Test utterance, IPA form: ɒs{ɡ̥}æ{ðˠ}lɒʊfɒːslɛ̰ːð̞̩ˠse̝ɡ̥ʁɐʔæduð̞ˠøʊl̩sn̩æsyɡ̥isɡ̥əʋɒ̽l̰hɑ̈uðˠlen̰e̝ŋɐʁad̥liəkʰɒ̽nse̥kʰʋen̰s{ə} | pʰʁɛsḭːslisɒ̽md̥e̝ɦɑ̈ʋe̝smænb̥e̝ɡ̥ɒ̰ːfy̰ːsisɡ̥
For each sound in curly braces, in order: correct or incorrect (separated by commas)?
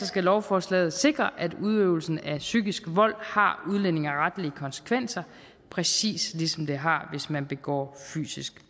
correct, incorrect, incorrect